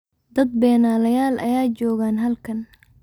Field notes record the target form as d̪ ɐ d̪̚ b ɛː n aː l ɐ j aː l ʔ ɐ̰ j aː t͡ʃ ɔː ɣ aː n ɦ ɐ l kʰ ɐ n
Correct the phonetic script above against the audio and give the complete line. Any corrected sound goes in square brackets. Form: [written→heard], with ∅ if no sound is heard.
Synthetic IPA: d̪ ɐ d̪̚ b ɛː n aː l ɐ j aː l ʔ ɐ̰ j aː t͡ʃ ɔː ɣ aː n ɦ ɐ l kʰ ɐ n